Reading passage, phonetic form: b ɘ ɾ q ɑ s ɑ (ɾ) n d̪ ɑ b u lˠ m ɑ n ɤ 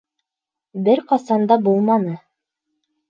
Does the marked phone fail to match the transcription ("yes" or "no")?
yes